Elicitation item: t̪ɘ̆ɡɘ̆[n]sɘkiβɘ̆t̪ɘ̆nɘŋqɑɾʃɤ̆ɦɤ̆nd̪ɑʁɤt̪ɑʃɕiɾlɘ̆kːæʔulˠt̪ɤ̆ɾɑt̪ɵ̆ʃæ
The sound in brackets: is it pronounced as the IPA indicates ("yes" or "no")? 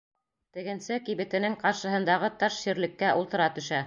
yes